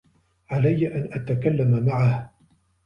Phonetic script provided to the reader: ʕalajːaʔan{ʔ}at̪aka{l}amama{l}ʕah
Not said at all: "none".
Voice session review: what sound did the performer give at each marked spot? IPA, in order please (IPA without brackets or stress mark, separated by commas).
ʔ, lː, none